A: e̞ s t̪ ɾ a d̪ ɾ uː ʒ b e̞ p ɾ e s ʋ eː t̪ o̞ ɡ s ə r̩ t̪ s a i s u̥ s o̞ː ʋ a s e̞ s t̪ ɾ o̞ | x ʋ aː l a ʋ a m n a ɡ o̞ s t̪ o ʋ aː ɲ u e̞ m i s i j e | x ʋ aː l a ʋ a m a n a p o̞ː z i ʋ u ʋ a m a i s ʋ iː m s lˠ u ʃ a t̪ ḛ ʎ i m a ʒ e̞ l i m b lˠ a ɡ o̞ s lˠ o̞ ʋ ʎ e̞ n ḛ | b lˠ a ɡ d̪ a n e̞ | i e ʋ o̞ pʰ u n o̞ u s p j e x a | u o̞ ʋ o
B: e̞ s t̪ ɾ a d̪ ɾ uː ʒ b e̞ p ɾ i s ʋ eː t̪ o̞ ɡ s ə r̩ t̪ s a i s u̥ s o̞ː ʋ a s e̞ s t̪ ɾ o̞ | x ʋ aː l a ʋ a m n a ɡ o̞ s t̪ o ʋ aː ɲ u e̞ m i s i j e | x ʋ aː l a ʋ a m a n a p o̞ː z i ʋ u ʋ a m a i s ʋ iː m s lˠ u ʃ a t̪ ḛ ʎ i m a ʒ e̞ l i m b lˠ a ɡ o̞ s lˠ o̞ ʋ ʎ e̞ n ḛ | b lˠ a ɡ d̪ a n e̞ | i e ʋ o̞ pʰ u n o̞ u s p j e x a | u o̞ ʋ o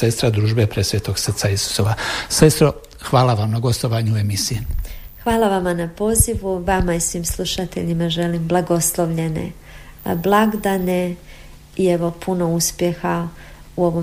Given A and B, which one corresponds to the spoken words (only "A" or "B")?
A